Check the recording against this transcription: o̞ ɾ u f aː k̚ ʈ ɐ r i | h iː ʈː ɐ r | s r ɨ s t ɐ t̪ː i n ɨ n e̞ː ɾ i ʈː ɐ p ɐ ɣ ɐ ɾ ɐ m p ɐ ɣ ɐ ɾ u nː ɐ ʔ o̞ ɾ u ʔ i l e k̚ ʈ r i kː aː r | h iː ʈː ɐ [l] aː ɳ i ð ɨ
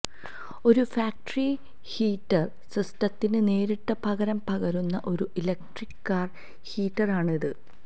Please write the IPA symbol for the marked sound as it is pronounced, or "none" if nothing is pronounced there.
r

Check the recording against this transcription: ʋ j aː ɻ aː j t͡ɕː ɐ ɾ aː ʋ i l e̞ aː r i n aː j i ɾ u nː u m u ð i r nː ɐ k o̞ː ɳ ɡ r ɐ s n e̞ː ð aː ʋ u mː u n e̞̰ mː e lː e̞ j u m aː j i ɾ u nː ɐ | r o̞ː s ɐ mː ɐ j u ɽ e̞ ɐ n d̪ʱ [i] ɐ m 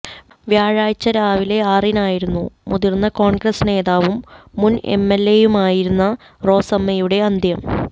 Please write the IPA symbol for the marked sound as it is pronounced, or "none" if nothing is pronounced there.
j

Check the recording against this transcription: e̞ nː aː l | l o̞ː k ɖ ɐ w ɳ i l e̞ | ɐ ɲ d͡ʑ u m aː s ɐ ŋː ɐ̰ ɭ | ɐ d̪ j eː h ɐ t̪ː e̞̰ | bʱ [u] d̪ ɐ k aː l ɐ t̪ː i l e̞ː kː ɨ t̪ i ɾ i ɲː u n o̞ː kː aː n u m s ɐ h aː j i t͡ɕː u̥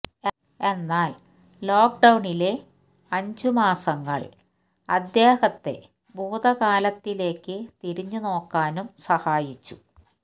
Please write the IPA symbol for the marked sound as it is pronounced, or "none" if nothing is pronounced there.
uː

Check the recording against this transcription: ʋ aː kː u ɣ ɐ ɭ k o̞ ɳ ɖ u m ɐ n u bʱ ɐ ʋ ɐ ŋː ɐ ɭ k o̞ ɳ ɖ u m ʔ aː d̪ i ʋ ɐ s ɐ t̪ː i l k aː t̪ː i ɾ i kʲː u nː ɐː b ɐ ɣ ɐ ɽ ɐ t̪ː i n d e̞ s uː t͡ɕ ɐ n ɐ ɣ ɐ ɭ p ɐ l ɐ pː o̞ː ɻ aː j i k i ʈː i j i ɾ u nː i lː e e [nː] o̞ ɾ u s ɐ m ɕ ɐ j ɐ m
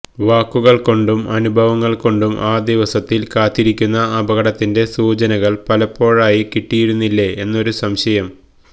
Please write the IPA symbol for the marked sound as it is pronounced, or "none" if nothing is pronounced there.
nː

